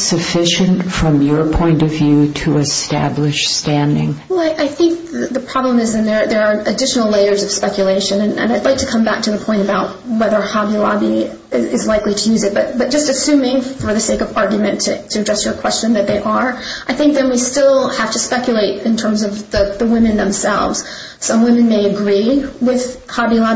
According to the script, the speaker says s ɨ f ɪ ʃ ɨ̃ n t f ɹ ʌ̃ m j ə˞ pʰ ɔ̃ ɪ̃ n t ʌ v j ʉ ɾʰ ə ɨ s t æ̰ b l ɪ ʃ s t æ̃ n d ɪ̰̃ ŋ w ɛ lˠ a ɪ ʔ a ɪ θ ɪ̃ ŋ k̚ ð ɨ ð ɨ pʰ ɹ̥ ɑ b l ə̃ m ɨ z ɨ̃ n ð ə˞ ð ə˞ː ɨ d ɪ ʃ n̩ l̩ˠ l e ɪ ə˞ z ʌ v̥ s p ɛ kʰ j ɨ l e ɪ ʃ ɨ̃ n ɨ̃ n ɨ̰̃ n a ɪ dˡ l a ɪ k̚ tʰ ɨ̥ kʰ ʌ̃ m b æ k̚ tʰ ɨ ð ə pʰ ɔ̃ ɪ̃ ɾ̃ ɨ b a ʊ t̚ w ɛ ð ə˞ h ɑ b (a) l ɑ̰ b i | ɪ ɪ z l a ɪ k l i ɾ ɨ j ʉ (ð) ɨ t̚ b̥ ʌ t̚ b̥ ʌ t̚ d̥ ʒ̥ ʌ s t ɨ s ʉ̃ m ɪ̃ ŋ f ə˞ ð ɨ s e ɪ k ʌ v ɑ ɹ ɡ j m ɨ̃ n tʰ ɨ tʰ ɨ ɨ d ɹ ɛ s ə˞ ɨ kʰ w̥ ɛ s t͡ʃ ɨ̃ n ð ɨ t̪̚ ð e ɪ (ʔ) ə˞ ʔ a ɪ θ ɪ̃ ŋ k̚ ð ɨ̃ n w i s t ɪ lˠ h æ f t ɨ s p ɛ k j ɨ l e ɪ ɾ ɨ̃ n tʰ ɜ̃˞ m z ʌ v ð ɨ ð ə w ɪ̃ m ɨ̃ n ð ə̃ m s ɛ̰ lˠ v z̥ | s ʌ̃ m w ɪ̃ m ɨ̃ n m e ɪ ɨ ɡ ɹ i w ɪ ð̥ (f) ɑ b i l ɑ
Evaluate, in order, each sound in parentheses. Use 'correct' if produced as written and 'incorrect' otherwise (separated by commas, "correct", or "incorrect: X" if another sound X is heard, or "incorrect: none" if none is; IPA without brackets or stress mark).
incorrect: i, incorrect: z, correct, incorrect: h